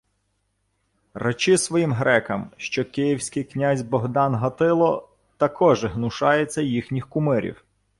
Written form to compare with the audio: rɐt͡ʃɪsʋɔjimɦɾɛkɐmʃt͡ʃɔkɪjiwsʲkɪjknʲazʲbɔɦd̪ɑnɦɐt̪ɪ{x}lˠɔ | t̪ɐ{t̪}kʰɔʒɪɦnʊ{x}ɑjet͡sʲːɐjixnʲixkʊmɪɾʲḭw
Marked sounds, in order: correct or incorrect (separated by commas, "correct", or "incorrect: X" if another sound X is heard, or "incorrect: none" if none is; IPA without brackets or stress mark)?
incorrect: none, incorrect: none, incorrect: ʃ